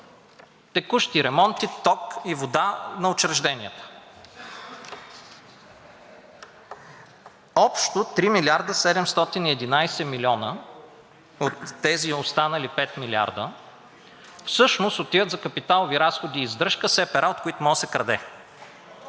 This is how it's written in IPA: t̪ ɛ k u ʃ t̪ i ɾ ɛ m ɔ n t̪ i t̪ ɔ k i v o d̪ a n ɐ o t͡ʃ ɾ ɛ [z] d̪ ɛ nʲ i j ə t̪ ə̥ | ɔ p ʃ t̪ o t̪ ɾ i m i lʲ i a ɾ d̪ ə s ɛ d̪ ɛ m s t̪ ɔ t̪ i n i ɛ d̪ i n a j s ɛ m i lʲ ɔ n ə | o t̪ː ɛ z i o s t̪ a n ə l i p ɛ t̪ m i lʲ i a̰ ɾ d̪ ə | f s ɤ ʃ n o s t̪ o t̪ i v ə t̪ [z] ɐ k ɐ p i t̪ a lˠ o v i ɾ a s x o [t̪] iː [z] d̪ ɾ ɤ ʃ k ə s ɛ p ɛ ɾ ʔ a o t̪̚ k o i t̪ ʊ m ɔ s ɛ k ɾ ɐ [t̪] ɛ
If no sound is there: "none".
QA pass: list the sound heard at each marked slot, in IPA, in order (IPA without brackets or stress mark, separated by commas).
ʒ, z, d̪, z, d̪